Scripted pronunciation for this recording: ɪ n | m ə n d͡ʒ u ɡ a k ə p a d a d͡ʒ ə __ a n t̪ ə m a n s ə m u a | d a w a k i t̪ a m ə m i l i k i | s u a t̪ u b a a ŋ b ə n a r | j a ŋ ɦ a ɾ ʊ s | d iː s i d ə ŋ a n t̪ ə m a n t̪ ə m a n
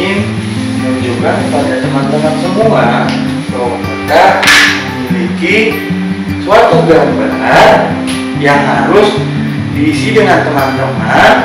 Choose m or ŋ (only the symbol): m